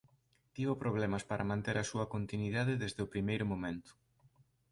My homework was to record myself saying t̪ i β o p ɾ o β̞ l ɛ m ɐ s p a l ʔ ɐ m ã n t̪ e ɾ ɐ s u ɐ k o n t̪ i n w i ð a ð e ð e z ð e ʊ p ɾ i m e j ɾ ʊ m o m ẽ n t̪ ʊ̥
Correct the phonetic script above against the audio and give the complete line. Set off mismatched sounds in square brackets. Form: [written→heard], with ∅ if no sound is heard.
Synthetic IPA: t̪ i β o p ɾ o β̞ l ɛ m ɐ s p a [l→ɾ] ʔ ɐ m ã n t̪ e ɾ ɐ s u ɐ k o n t̪ i n w i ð a ð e ð e z ð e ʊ p ɾ i m e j ɾ ʊ m o m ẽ n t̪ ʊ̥